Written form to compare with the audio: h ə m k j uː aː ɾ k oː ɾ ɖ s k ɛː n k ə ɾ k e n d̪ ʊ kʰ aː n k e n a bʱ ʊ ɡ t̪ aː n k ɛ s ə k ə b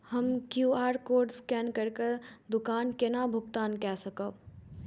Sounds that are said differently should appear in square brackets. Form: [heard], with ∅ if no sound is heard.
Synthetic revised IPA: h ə m k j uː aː ɾ k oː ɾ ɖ s k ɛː n k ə ɾ k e [∅] d̪ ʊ [k] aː n k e n a bʱ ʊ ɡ t̪ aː n k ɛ s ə k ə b